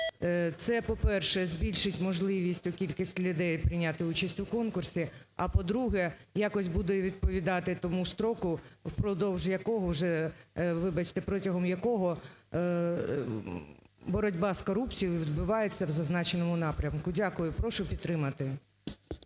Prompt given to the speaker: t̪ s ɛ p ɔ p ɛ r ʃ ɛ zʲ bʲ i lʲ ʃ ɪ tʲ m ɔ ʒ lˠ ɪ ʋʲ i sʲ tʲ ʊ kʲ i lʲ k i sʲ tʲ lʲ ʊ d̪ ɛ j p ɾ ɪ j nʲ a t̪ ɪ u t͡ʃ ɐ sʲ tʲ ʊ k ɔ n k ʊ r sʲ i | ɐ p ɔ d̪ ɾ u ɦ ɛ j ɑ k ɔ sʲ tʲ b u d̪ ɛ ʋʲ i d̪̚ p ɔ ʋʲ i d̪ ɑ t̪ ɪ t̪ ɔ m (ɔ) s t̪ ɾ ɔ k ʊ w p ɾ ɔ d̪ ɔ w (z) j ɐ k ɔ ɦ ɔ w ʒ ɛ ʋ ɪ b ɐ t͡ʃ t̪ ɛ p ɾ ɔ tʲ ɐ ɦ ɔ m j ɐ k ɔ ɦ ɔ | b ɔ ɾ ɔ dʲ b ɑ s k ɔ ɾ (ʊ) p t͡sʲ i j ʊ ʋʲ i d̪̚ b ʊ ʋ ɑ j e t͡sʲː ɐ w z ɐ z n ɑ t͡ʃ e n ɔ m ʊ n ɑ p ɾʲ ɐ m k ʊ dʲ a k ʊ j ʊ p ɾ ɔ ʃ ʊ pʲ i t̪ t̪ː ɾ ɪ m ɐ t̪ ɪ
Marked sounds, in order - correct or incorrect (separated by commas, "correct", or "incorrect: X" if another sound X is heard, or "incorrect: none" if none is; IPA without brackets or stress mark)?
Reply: incorrect: u, incorrect: ʒ, incorrect: u